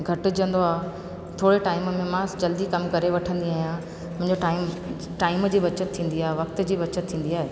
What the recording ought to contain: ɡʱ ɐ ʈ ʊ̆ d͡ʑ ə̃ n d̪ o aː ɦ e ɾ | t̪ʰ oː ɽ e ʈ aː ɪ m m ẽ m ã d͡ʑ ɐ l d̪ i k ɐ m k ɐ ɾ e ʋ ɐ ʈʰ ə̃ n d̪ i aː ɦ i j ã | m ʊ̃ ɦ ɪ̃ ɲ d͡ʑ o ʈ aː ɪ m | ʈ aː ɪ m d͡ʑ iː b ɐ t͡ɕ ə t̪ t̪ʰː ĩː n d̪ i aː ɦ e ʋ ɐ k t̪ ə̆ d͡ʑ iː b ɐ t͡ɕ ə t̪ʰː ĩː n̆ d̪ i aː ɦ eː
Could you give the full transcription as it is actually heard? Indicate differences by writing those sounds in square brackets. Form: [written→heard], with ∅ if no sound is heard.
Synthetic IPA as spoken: ɡʱ ɐ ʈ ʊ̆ d͡ʑ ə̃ n d̪ o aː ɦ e [ɾ→∅] | t̪ʰ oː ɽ e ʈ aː ɪ m m ẽ m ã d͡ʑ ɐ l d̪ i k ɐ m k ɐ ɾ e ʋ ɐ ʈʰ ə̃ n d̪ i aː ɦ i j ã | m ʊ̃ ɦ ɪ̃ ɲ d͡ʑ o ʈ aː ɪ m | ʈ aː ɪ m d͡ʑ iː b ɐ t͡ɕ ə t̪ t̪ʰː ĩː n d̪ i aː ɦ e ʋ ɐ k t̪ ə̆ d͡ʑ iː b ɐ t͡ɕ ə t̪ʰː ĩː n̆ d̪ i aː ɦ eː